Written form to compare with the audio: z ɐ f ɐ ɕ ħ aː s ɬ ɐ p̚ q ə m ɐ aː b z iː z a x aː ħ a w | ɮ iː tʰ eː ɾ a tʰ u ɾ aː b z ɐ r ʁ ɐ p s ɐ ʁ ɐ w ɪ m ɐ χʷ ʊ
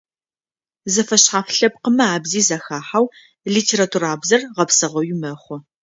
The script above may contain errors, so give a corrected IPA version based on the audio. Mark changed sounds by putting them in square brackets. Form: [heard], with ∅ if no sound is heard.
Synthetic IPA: z ɐ f ɐ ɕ ħ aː [f] ɬ ɐ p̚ q ə m ɐ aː b z iː z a x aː ħ a w | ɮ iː tʰ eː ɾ a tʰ u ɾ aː b z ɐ r ʁ ɐ p s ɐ ʁ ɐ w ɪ m ɐ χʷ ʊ